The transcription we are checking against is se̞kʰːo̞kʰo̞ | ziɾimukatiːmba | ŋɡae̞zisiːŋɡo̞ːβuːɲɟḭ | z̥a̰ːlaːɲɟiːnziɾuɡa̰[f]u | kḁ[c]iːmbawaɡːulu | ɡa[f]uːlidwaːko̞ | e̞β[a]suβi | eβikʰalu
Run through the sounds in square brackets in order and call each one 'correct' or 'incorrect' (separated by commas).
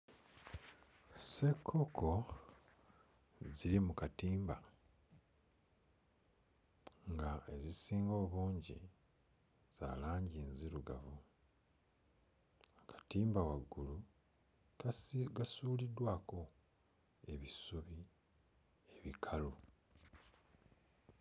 incorrect, incorrect, incorrect, incorrect